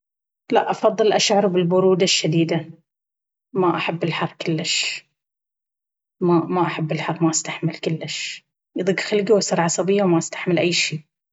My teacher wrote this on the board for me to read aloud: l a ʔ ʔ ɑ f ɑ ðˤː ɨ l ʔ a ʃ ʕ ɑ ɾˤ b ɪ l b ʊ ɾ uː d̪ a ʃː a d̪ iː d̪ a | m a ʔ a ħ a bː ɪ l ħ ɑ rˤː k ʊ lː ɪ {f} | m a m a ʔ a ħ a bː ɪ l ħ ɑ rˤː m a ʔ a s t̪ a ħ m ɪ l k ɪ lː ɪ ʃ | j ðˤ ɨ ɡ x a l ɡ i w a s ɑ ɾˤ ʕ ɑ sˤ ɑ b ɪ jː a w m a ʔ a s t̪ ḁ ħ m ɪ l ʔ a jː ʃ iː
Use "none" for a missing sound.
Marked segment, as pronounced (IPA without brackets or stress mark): ʃ